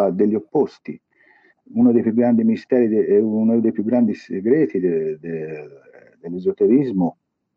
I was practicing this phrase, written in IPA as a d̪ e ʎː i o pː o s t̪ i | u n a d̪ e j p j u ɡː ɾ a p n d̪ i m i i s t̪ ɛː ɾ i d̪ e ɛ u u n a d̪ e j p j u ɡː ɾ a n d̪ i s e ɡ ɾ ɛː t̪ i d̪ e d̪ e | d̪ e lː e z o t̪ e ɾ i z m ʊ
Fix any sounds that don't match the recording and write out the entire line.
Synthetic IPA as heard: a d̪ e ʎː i o pː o s t̪ i | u n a d̪ e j p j u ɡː ɾ a n d̪ i m i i s t̪ ɛː ɾ i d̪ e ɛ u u n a d̪ e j p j u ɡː ɾ a n d̪ i s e ɡ ɾ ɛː t̪ i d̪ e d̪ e | d̪ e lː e z o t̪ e ɾ i z m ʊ